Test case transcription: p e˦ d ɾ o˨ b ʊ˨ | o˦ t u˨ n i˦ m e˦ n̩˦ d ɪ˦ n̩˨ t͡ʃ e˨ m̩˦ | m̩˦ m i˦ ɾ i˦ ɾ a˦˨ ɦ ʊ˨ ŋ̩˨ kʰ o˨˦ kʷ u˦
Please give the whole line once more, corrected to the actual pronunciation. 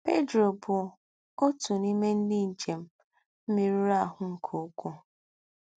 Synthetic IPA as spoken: p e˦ d ɾ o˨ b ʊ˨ | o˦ t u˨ n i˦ m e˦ n̩˦ d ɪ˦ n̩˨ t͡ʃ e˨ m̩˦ | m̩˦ m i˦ ɾ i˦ ɾ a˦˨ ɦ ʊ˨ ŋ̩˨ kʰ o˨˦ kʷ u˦